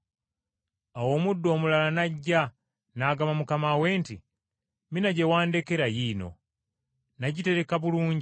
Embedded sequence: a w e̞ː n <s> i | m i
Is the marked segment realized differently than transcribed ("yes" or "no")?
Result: yes